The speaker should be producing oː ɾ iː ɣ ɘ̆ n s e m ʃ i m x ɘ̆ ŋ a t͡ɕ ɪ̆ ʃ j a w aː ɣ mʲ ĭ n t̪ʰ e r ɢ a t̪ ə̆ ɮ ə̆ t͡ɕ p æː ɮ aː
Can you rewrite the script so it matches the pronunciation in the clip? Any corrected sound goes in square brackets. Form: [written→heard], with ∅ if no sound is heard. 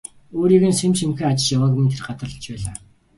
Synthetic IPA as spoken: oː ɾ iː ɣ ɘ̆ n s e m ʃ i m x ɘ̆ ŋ a t͡ɕ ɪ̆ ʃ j a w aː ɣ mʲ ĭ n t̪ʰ e r ɢ a t̪ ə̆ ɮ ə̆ t͡ɕ p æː ɮ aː